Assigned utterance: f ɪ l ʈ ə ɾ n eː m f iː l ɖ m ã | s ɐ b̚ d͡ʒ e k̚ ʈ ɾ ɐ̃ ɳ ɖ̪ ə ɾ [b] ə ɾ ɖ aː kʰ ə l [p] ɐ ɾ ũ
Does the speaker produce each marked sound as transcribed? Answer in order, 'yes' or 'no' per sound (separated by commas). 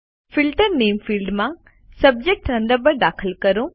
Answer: yes, no